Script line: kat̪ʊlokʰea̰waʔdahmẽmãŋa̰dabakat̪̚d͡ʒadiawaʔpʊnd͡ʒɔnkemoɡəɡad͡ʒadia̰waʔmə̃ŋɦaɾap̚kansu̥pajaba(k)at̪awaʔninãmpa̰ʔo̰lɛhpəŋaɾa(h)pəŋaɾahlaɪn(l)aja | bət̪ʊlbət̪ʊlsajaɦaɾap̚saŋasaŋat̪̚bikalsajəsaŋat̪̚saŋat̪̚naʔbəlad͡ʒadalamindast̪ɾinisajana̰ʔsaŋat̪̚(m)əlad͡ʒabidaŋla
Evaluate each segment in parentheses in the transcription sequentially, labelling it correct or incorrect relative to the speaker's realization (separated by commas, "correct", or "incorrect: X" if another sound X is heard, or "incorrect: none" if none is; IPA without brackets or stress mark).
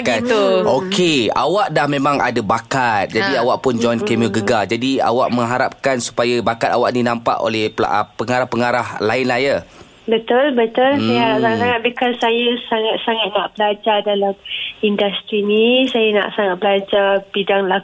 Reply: correct, correct, correct, incorrect: b